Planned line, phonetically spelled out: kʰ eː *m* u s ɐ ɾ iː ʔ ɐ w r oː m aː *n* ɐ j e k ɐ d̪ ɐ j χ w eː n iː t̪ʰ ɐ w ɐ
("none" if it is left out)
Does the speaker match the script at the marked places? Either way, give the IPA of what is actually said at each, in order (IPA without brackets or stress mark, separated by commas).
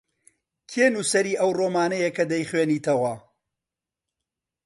n, n